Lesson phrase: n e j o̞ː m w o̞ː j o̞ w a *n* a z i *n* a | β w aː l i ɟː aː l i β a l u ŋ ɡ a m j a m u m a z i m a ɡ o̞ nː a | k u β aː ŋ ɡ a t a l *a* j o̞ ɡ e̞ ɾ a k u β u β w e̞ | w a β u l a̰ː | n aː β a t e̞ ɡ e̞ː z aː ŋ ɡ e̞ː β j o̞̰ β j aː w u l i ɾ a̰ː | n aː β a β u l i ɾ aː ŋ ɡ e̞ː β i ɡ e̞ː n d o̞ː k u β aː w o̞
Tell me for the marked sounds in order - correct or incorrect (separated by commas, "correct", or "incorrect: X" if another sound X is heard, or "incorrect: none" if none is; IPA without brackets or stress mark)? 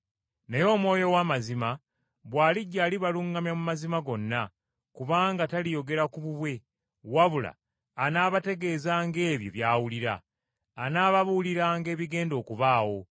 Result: incorrect: m, incorrect: m, incorrect: i